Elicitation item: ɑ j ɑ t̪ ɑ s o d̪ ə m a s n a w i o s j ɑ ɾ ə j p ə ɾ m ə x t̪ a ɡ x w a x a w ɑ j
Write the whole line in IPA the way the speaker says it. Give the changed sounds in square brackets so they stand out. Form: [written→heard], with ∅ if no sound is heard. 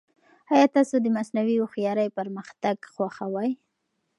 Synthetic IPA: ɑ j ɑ t̪ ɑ s o d̪ ə m a s n a w i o [s→x] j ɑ ɾ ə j p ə ɾ m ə x t̪ a ɡ x w a x a w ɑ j